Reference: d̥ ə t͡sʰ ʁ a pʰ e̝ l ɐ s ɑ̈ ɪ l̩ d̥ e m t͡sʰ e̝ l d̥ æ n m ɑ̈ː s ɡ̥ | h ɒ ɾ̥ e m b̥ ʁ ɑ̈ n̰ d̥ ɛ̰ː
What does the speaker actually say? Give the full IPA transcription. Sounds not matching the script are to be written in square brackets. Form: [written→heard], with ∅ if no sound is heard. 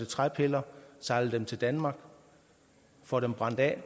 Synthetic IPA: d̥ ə t͡sʰ ʁ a pʰ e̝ l ɐ s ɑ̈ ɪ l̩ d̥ e m t͡sʰ e̝ l d̥ æ n m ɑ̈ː [s→∅] ɡ̥ | [h→f] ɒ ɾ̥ e m b̥ ʁ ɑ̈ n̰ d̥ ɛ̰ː